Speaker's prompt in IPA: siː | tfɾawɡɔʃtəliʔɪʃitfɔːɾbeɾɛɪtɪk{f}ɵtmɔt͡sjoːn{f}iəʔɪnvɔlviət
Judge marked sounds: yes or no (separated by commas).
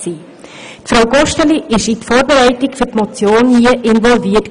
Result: yes, no